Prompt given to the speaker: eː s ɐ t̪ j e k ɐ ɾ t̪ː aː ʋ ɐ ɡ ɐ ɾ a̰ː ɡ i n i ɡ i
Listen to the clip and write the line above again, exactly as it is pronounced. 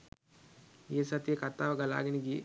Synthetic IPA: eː s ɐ t̪ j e k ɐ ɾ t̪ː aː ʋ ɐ ɡ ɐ l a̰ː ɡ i n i ɡ i

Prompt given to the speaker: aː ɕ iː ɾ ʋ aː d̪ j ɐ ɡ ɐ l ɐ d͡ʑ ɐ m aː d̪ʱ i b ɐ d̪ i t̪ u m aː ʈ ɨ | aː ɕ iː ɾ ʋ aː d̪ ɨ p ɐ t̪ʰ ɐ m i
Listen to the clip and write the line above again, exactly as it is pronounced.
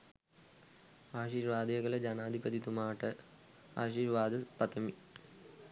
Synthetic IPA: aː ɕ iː ɾ ʋ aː d̪ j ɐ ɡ ɐ l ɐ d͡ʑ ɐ n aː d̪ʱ i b ɐ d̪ i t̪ u m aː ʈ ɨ | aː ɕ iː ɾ ʋ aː d̪ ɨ p ɐ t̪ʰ ɐ m i

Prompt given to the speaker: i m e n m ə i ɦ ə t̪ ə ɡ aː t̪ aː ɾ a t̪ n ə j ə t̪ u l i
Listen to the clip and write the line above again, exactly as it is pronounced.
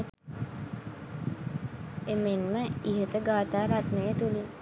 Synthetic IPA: e m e n m ə i ɦ ə t̪ ə ɡ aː t̪ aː ɾ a t̪ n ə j ə t̪ u l i

